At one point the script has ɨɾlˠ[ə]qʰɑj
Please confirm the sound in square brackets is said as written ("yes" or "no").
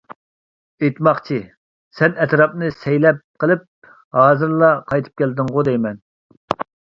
no